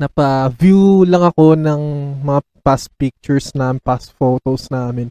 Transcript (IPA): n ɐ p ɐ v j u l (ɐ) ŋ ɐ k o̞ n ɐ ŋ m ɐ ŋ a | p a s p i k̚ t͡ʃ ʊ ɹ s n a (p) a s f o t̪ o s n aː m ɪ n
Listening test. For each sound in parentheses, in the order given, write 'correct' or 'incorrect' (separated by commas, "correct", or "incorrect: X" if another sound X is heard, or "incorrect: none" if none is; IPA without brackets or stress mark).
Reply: correct, correct